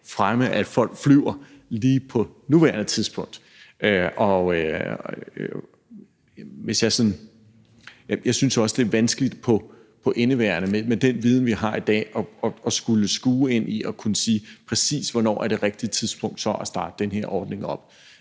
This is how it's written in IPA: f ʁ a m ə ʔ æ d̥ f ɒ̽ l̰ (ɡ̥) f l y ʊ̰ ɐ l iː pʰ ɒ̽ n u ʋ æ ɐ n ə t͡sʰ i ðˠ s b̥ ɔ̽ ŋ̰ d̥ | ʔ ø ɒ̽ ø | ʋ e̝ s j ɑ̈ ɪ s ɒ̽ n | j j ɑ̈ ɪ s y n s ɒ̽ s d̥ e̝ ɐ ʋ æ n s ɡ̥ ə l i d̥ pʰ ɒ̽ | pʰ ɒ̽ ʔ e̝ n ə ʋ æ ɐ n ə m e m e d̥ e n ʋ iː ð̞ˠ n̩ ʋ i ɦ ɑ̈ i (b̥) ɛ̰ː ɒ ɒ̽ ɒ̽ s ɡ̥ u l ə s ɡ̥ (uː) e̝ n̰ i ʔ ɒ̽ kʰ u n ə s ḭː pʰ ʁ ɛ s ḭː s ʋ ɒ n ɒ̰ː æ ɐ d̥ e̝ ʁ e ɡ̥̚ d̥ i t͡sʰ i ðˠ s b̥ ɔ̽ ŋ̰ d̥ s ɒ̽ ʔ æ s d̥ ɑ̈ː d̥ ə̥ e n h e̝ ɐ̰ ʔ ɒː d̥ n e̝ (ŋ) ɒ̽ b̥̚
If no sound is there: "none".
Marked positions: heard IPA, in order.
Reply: ɡ̥, d̥, uː, ŋ

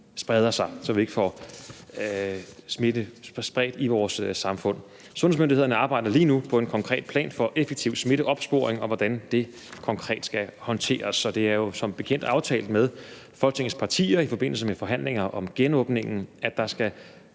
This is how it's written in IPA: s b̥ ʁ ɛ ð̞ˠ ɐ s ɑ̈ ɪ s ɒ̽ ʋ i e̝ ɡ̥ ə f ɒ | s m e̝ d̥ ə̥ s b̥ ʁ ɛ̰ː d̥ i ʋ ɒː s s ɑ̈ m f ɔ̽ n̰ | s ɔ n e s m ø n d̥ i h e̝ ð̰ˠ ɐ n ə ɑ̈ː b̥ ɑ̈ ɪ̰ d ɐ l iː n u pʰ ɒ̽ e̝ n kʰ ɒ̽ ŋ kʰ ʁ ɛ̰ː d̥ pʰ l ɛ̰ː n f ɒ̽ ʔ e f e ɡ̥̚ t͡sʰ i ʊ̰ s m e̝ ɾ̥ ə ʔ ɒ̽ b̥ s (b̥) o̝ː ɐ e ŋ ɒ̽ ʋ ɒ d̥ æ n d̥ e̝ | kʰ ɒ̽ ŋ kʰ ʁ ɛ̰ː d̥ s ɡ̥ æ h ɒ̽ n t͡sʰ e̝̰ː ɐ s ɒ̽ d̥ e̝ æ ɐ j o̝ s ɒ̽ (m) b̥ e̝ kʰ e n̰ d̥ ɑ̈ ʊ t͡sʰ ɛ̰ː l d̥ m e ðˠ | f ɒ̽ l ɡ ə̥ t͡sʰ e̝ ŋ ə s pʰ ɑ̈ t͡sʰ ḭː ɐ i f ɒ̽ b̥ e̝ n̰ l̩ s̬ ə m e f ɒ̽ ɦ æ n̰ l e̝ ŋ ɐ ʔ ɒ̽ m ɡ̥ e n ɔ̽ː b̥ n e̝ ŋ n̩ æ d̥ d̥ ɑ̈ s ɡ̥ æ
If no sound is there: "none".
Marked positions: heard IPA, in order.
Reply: b̥, m

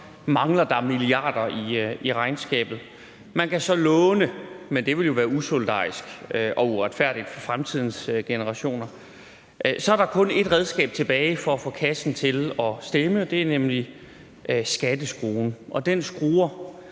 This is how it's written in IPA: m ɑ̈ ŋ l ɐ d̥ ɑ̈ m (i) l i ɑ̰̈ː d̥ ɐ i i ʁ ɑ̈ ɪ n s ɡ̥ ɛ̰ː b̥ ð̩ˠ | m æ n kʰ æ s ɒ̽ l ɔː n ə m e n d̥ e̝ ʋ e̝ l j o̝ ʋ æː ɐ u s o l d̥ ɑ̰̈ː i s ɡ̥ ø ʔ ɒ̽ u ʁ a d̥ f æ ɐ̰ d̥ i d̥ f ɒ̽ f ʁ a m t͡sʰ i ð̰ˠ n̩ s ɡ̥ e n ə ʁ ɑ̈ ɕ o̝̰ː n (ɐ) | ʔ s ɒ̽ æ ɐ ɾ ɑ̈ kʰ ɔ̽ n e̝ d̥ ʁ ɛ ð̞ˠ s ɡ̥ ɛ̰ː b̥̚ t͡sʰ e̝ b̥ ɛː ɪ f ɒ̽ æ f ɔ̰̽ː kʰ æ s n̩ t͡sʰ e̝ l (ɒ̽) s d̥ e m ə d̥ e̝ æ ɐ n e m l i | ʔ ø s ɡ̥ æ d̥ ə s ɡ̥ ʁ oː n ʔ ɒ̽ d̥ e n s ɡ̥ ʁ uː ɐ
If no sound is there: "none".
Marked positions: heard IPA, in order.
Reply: i, ɐ, ɒ̽

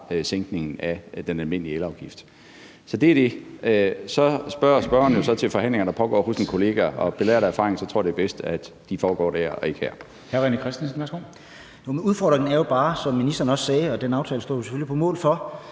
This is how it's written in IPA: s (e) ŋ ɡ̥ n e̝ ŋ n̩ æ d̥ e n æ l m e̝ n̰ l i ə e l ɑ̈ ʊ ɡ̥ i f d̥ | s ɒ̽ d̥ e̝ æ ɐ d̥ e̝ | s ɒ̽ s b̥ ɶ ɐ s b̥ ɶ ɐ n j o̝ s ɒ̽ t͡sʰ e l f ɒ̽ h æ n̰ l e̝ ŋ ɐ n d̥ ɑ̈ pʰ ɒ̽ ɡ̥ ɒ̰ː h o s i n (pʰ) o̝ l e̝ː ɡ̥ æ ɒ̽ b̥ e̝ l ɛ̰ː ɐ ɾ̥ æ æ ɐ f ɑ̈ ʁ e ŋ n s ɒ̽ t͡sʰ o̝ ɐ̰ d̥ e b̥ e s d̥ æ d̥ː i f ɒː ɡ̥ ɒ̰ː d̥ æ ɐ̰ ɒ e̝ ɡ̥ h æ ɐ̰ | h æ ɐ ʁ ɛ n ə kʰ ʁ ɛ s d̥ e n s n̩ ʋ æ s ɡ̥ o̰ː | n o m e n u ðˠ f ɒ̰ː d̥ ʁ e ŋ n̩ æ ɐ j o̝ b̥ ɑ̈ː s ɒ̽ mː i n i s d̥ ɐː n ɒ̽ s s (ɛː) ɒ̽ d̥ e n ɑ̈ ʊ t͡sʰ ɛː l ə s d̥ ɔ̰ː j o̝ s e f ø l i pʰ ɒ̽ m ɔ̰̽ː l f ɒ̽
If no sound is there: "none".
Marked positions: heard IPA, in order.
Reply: e, kʰ, ɛː

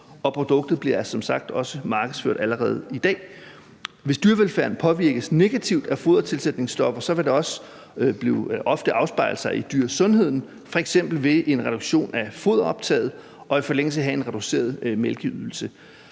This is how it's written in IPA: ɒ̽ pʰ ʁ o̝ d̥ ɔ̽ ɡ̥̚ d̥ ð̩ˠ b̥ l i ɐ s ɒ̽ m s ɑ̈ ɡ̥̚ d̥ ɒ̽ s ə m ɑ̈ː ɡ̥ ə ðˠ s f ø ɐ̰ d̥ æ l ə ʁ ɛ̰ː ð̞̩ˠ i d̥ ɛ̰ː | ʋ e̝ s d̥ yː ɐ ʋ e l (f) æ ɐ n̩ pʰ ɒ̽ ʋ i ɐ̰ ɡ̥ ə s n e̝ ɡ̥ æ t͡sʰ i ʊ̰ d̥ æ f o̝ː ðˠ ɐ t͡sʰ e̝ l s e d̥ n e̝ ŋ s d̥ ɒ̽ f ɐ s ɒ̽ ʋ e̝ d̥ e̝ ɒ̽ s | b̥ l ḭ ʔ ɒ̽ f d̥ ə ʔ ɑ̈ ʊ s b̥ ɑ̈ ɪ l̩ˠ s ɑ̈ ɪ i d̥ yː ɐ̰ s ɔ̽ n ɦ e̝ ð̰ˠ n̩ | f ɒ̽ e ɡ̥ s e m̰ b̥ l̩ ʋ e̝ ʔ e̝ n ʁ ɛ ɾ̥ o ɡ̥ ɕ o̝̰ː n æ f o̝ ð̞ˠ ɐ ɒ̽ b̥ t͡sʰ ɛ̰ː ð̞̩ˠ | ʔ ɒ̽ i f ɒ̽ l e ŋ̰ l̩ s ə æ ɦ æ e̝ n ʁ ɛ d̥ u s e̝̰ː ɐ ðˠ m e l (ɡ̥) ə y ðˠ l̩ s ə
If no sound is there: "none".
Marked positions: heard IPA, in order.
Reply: f, ɡ̥

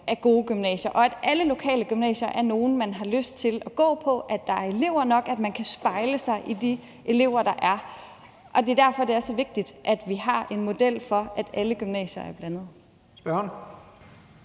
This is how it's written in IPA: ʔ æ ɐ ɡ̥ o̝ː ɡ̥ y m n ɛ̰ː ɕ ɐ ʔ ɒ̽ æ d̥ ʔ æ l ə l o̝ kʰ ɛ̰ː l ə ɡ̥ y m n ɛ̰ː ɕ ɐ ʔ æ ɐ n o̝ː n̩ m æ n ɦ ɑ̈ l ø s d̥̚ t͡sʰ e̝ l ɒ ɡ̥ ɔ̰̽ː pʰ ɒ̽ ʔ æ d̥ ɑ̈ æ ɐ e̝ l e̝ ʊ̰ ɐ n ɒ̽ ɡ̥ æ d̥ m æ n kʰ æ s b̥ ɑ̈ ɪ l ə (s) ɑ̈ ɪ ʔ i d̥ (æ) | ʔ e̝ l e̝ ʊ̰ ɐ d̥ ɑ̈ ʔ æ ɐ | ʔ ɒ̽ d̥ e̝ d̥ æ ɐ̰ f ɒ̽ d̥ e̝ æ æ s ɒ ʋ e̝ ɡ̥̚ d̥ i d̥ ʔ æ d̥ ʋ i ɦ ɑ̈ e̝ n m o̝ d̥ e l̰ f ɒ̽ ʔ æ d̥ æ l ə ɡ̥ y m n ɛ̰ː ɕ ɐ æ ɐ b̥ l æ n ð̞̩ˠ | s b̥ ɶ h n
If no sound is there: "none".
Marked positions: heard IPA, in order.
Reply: s, i

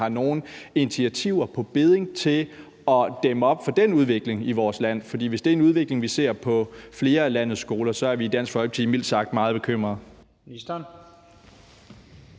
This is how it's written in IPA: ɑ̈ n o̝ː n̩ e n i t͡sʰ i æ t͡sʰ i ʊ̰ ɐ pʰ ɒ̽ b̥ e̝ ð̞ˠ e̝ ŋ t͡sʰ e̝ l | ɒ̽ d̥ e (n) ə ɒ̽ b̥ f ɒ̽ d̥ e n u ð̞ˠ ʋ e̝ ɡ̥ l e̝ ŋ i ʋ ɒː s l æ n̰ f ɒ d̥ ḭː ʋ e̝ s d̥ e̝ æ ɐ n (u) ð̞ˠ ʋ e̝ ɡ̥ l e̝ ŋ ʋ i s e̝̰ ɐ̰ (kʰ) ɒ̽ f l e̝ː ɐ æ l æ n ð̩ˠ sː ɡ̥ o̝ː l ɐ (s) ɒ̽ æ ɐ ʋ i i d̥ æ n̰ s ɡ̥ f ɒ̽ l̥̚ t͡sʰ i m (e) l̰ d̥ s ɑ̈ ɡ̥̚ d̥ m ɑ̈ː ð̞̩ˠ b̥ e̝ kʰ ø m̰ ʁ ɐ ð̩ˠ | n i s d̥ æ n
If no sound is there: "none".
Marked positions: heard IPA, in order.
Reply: m, u, pʰ, s, i

